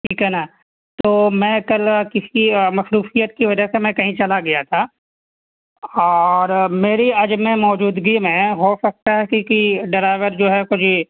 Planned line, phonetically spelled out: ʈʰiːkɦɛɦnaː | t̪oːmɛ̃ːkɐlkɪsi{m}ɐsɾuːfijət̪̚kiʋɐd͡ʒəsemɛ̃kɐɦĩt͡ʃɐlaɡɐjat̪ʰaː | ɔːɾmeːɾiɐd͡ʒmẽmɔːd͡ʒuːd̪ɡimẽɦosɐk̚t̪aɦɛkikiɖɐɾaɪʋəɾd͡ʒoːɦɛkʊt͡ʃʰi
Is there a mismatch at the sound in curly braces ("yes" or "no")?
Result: no